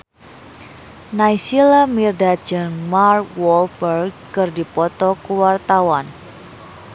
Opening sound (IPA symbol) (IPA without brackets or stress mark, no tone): n